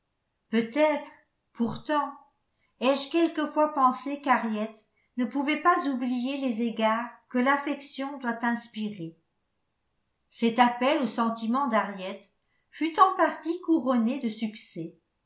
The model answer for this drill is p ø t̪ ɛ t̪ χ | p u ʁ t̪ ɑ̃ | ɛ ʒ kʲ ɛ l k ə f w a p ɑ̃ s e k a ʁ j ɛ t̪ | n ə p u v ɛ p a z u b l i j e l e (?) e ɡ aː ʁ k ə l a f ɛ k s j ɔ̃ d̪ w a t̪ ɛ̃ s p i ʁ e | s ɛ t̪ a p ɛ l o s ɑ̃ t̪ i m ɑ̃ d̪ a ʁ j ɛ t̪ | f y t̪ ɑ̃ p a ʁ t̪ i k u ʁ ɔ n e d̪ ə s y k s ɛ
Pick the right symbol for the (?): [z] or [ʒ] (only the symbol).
z